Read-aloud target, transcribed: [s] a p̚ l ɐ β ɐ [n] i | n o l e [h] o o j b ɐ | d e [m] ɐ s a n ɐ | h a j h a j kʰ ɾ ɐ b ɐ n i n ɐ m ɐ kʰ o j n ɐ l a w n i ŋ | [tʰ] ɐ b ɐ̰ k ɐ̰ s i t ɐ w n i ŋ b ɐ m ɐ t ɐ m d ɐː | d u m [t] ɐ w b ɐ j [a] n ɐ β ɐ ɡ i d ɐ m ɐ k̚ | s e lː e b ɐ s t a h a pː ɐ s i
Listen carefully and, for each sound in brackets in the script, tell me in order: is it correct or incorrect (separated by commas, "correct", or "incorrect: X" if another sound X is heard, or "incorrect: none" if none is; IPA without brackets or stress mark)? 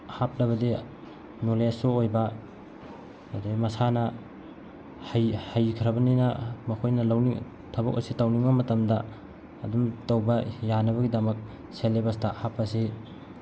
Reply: incorrect: h, incorrect: d, incorrect: s, correct, correct, correct, correct